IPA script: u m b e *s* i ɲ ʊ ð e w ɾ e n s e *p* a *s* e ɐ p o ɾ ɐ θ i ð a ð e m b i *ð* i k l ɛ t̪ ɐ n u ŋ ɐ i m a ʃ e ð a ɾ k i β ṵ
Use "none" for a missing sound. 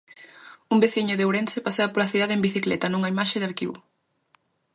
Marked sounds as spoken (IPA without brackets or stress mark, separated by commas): θ, p, s, θ